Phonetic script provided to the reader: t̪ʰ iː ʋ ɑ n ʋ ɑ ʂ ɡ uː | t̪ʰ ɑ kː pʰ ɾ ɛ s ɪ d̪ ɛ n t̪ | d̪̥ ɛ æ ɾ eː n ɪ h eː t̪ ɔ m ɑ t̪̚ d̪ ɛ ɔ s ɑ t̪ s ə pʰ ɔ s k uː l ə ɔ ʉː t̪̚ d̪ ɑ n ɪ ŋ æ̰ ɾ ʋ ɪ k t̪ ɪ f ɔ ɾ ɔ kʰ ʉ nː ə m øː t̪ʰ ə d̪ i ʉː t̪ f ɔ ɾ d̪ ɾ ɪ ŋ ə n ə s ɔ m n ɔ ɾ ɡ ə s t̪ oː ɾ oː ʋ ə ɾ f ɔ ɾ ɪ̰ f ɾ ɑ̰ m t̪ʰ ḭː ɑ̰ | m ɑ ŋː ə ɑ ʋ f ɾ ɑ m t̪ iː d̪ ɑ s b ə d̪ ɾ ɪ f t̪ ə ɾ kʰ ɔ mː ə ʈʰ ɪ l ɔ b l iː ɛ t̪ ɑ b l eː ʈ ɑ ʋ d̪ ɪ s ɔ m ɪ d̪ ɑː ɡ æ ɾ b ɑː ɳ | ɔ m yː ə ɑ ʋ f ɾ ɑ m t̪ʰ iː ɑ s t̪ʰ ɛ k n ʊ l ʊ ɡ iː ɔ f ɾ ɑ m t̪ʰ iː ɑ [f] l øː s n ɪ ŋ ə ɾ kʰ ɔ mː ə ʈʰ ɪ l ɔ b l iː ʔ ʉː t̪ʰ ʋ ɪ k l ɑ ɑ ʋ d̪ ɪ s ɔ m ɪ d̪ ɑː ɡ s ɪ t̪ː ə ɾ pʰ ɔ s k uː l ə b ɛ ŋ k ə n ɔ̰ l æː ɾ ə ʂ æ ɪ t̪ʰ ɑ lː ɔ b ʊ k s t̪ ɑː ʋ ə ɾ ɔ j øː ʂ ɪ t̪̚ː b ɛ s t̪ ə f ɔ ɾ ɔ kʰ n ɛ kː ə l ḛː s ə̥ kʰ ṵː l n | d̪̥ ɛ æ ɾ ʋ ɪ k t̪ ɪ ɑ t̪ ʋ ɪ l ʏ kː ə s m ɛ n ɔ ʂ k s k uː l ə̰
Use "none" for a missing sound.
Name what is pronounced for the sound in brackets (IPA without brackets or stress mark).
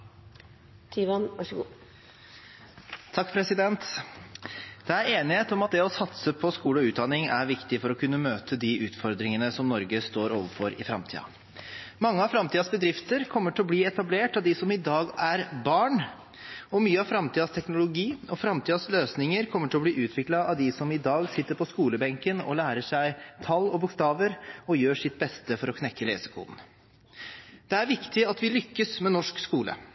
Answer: s